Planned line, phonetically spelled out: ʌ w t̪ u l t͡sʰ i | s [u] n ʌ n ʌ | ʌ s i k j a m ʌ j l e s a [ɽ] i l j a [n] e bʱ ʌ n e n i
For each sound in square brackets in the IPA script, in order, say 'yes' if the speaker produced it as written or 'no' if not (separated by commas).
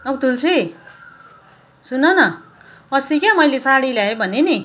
yes, yes, no